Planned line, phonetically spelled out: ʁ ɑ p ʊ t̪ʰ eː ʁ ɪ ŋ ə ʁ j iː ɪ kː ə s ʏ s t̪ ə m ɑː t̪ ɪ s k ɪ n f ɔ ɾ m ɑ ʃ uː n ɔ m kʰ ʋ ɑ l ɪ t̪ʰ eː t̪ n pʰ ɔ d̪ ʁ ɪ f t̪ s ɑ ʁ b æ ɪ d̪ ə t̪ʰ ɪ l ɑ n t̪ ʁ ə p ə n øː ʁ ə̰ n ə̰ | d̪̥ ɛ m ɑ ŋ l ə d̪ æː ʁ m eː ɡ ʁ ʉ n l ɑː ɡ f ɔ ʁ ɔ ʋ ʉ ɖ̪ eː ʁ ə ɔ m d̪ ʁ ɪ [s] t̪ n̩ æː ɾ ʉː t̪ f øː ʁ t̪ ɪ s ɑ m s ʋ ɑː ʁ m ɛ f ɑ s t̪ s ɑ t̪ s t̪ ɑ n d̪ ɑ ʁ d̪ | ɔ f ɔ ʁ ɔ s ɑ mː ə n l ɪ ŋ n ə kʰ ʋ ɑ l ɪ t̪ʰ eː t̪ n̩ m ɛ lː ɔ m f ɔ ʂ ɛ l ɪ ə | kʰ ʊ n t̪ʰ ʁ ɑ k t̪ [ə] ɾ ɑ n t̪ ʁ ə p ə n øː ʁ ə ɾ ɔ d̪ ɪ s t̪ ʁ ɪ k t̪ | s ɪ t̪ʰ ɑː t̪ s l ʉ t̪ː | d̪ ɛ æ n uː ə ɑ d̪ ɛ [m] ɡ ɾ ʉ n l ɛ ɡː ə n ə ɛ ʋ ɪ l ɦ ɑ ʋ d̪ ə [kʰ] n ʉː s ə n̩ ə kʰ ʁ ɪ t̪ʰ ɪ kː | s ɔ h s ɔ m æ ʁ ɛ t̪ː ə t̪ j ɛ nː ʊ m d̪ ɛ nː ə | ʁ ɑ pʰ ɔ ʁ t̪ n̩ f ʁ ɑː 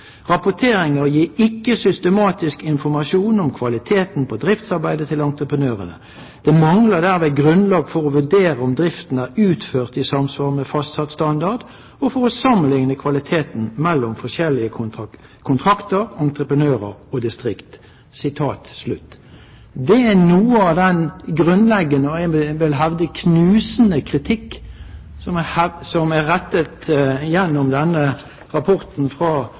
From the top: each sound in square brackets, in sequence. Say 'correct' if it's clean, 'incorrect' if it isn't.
incorrect, correct, incorrect, correct

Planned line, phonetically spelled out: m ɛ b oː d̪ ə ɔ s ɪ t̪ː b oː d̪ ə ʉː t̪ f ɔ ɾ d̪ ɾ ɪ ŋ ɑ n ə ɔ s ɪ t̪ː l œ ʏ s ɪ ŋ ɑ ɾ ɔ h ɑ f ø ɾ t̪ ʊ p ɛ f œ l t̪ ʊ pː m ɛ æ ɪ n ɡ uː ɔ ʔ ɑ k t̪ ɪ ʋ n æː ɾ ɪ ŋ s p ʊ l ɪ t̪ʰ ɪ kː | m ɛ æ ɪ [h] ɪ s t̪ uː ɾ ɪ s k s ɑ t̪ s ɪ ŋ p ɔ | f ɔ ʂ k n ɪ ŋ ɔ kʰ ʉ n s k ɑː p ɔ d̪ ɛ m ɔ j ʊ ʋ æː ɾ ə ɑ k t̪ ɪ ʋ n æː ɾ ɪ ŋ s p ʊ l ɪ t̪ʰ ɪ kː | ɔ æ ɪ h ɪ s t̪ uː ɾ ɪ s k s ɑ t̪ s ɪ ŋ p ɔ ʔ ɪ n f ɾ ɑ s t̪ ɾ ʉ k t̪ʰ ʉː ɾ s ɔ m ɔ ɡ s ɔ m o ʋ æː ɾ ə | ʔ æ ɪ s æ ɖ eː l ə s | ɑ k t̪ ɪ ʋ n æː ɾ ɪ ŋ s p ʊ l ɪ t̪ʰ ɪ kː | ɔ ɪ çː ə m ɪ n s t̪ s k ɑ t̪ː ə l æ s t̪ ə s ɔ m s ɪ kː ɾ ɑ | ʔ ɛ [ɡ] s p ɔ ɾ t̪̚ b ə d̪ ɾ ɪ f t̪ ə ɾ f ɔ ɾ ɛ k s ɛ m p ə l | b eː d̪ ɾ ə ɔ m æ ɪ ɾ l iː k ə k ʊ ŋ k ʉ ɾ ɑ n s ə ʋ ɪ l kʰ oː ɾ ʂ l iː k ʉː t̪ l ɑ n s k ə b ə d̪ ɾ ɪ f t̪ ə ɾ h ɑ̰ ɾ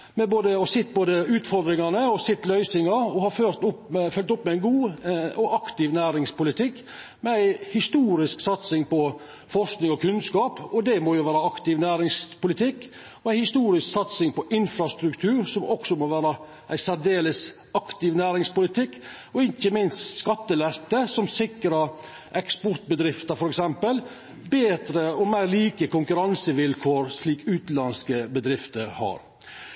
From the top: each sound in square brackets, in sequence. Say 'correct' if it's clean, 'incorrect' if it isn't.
correct, incorrect

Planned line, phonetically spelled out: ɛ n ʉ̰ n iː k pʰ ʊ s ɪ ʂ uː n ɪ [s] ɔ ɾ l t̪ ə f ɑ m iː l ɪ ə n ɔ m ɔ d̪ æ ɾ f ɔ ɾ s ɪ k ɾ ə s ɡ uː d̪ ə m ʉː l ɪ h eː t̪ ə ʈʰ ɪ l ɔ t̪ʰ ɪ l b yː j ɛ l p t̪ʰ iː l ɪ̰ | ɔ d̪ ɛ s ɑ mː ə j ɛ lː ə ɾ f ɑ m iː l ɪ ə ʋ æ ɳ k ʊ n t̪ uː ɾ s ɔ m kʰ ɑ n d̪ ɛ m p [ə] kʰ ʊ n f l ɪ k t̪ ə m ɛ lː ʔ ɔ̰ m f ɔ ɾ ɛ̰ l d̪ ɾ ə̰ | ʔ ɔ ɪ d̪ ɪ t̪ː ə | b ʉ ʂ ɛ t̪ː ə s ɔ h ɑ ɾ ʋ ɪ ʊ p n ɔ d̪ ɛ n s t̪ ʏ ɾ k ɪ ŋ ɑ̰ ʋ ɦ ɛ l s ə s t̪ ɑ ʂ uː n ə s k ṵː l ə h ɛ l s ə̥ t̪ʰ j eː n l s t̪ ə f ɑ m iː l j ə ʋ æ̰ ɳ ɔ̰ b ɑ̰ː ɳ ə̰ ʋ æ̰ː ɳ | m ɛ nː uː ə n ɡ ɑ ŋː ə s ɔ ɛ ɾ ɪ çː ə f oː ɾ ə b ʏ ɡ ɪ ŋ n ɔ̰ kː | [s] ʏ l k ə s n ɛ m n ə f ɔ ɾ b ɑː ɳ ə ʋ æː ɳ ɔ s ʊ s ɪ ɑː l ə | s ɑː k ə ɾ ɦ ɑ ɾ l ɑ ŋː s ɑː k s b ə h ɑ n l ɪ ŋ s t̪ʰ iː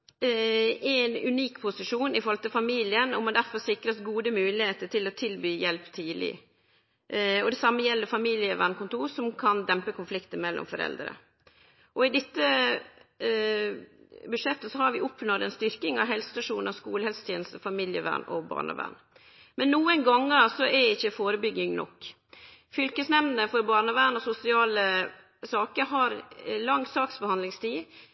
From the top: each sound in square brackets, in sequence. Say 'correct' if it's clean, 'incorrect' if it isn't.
incorrect, correct, incorrect

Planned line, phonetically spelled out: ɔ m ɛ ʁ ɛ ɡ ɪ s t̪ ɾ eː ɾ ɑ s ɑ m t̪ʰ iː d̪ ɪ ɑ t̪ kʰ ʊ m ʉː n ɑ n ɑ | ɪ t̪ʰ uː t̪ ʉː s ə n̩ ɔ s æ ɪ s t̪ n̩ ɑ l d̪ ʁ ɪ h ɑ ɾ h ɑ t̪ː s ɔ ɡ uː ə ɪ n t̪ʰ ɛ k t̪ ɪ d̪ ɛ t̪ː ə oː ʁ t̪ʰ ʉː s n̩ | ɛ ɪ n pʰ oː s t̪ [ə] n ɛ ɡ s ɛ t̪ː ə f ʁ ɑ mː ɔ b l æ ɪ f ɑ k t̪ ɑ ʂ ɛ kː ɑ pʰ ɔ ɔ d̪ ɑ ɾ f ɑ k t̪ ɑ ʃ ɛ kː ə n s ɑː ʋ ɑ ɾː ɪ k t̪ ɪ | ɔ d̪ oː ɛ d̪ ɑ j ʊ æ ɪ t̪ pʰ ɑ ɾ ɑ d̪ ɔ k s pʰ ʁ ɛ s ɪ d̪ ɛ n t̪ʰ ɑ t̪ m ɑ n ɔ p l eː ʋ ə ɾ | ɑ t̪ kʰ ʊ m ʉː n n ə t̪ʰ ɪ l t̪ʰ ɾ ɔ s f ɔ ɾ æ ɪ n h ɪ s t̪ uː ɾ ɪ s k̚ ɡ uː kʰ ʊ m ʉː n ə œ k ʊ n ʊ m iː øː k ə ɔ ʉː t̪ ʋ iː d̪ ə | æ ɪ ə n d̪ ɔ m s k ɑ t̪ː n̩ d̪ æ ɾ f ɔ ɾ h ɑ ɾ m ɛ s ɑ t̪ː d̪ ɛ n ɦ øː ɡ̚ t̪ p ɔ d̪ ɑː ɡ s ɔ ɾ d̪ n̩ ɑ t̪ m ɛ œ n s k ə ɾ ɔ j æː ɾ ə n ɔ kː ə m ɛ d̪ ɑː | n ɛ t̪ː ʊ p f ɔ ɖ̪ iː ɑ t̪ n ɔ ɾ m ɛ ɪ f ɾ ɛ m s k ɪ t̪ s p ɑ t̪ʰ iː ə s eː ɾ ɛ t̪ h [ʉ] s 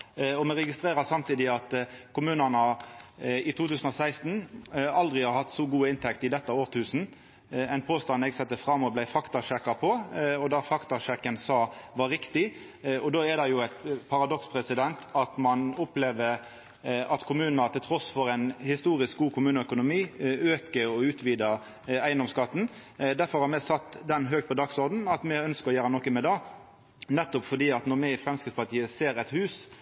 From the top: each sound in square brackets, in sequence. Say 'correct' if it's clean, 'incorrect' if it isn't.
incorrect, incorrect

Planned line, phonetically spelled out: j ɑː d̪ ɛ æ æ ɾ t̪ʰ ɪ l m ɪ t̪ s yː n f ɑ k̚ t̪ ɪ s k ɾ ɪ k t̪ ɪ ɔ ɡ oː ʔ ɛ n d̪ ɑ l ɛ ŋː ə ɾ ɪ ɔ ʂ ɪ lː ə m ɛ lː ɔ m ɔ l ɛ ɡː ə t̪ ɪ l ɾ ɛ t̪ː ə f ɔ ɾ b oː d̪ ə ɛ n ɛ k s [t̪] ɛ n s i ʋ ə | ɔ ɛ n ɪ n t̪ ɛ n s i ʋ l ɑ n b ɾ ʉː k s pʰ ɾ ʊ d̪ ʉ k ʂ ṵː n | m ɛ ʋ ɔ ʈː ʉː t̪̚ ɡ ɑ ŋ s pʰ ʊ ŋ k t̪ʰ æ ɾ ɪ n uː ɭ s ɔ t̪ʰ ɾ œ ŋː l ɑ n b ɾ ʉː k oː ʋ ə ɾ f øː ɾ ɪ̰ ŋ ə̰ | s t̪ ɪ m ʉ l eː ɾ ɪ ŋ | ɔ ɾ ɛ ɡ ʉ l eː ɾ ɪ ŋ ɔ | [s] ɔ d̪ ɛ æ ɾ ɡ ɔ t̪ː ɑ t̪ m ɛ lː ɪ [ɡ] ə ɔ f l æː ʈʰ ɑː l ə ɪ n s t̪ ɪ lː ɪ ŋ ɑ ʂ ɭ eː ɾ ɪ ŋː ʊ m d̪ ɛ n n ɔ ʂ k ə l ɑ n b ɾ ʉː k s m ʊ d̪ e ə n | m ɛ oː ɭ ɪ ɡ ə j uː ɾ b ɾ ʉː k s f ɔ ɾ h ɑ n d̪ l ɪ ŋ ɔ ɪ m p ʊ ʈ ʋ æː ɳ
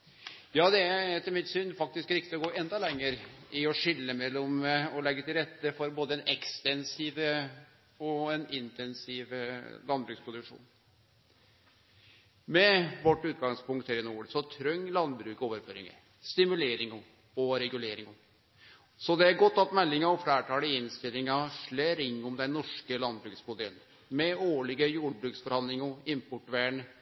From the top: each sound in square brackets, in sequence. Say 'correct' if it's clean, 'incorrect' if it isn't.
correct, correct, incorrect

